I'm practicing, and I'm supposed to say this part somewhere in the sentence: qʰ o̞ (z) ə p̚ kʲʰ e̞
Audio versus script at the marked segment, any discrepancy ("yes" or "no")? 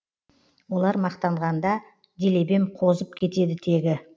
no